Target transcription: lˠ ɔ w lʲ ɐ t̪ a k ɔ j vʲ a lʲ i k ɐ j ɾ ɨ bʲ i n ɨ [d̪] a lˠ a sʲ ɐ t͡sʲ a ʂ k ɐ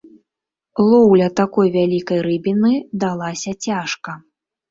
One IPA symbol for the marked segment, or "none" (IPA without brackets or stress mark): d̪